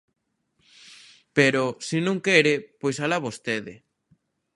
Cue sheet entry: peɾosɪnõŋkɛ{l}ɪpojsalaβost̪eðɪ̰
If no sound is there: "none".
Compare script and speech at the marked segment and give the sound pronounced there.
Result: ɾ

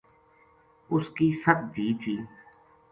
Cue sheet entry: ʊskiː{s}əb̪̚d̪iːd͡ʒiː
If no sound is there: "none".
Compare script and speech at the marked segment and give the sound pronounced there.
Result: s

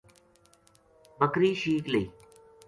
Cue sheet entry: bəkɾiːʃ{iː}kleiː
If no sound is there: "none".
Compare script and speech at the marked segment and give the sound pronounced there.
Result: iː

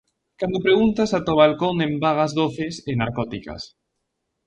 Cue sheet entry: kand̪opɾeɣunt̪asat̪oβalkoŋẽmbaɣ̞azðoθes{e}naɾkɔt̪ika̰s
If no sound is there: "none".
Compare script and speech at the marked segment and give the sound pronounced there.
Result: e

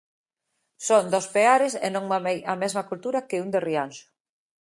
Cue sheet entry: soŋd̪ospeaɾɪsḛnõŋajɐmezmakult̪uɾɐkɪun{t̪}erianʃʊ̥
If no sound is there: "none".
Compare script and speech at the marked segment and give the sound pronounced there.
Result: d̪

